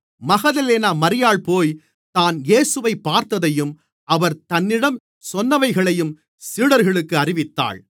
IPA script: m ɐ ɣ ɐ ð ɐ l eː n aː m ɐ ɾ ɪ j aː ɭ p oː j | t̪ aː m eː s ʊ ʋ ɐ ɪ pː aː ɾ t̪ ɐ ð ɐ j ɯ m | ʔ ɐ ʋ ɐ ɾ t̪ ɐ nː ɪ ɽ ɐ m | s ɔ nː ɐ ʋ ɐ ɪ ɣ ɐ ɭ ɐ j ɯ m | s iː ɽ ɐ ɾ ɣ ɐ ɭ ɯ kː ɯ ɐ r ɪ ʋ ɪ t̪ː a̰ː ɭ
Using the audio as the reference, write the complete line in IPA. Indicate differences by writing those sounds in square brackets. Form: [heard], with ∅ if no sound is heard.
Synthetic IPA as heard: m ɐ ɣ ɐ ð ɐ l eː n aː m ɐ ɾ ɪ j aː ɭ p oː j | t̪ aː [n] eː s [ɯ] ʋ ɐ ɪ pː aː ɾ t̪ ɐ ð ɐ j ɯ m | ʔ ɐ ʋ ɐ ɾ t̪ ɐ nː ɪ ɽ ɐ m | s ɔ nː ɐ ʋ ɐ ɪ ɣ ɐ ɭ ɐ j ɯ m | s iː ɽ ɐ ɾ ɣ ɐ ɭ ɯ kː ɯ ɐ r ɪ ʋ ɪ t̪ː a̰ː ɭ